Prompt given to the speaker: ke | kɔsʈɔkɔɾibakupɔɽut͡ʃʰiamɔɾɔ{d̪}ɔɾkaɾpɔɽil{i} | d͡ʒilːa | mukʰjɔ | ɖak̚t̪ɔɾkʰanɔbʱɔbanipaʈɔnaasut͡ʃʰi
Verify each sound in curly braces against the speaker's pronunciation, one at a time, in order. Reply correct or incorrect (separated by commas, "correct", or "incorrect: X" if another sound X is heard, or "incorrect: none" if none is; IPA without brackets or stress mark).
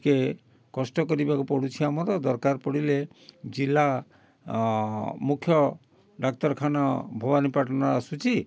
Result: correct, incorrect: e